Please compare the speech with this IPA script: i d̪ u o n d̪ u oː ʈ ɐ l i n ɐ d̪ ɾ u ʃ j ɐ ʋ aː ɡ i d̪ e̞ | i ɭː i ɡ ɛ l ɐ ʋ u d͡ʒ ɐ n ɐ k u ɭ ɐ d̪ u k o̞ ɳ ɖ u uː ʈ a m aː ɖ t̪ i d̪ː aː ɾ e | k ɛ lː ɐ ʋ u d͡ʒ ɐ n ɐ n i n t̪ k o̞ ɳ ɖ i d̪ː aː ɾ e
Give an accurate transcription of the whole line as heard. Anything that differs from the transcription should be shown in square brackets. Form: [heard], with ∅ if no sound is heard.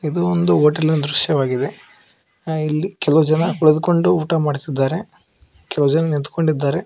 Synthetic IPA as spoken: i d̪ u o n d̪ u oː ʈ ɐ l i n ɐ d̪ ɾ u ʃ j ɐ ʋ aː ɡ i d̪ e̞ | i [lː] i [k] ɛ l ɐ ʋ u d͡ʒ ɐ n ɐ k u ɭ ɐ d̪ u k o̞ ɳ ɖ u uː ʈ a m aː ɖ t̪ i d̪ː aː ɾ e | k ɛ [l] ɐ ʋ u d͡ʒ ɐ n ɐ n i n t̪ k o̞ ɳ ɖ i d̪ː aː ɾ e